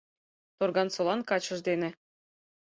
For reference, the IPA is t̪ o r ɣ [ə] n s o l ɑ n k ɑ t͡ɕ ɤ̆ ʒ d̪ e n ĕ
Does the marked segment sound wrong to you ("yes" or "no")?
yes